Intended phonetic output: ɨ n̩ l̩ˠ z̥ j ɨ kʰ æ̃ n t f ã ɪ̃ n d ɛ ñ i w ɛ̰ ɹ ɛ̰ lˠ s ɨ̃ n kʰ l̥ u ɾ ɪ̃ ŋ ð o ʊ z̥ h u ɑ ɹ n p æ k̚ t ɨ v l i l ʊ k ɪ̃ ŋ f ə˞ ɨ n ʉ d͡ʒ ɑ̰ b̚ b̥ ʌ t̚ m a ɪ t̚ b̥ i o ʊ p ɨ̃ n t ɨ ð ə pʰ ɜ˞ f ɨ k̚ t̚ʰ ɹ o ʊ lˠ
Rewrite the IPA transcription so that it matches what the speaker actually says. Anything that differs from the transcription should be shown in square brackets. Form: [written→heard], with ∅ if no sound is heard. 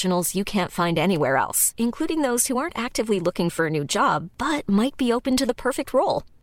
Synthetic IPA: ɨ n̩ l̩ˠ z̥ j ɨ kʰ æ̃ n t f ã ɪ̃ n d ɛ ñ i w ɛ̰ ɹ ɛ̰ lˠ s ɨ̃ n kʰ l̥ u ɾ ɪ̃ ŋ ð o ʊ z̥ h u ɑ ɹ n [p→t] æ k̚ t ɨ v l i l ʊ k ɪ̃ ŋ f ə˞ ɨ n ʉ d͡ʒ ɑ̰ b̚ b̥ ʌ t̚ m a ɪ t̚ b̥ i o ʊ p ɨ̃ n t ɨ ð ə pʰ ɜ˞ f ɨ k̚ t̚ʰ ɹ o ʊ lˠ